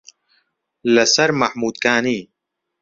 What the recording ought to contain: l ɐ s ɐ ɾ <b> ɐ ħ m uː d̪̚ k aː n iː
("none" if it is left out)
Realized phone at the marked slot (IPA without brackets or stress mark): m